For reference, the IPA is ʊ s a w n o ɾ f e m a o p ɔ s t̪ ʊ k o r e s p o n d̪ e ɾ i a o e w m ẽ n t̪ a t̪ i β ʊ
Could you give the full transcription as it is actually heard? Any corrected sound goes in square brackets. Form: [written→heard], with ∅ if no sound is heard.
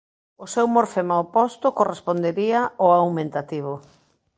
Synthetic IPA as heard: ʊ s [a→e] w [n→m] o ɾ f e m a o p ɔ s t̪ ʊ k o r e s p o n d̪ e ɾ i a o [e→a] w m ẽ n t̪ a t̪ i β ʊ